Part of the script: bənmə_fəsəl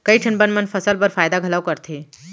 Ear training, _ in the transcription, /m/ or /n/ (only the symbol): n